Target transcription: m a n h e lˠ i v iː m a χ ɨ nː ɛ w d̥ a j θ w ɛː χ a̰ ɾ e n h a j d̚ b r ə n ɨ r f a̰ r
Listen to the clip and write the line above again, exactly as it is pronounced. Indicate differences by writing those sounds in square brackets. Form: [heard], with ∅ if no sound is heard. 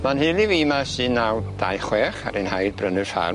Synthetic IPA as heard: m a n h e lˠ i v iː m a [s] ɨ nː [a] w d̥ a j [χ] w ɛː χ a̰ ɾ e n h a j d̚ b r ə n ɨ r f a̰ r